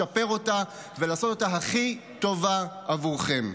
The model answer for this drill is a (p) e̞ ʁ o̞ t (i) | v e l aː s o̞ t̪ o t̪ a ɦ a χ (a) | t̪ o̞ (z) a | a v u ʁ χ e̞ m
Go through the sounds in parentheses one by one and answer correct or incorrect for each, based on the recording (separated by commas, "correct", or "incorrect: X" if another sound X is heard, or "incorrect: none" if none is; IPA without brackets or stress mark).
correct, incorrect: a, incorrect: i, incorrect: v